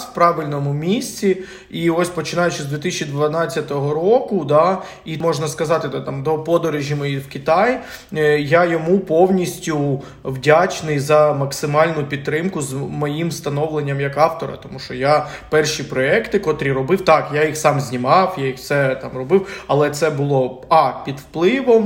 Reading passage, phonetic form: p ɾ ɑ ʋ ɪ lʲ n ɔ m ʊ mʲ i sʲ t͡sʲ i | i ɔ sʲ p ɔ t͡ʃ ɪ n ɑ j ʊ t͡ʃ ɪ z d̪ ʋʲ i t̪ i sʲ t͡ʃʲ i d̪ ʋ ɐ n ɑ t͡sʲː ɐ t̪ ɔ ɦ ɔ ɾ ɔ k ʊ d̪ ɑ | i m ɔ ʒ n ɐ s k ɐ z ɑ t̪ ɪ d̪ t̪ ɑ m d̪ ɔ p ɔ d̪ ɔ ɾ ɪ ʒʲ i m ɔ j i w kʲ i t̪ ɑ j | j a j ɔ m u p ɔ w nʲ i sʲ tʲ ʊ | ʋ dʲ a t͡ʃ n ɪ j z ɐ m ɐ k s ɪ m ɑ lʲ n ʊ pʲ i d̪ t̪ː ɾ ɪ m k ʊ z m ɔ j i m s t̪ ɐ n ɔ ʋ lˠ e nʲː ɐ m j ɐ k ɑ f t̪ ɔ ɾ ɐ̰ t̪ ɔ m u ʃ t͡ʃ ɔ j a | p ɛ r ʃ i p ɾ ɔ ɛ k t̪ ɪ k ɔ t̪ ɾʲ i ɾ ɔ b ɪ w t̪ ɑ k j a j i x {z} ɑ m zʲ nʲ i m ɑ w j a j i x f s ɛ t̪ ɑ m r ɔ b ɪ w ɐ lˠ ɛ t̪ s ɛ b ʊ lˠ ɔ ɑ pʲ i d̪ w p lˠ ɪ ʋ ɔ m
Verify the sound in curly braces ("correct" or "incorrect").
incorrect